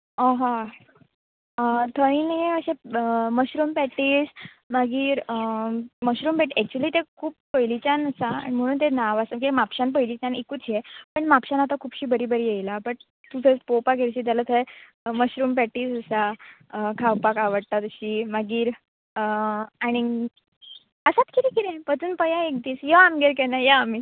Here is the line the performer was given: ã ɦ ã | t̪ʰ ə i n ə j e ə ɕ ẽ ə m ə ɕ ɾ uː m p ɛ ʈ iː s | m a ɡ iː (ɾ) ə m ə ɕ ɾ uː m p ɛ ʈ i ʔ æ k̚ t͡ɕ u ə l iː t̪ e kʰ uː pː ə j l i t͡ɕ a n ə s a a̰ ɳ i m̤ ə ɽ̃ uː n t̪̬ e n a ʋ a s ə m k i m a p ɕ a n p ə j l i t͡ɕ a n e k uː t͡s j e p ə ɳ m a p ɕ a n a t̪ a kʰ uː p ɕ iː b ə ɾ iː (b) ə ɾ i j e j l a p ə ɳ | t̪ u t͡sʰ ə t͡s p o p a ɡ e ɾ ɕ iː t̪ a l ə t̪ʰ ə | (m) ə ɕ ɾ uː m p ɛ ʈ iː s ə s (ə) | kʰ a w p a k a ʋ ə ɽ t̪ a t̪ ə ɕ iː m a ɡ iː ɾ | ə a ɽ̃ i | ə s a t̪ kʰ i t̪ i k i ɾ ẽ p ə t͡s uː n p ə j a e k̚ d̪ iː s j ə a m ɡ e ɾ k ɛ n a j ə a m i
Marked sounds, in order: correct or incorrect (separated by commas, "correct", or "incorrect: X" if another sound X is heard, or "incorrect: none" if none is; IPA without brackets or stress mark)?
correct, correct, correct, incorrect: a